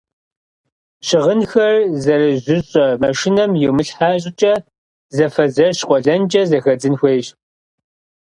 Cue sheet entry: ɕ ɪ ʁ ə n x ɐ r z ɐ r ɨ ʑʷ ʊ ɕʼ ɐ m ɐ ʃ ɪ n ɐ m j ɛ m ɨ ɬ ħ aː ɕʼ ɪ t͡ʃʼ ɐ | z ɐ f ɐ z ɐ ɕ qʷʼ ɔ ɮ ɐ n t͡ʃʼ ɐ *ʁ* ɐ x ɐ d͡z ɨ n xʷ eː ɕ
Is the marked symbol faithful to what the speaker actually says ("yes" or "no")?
no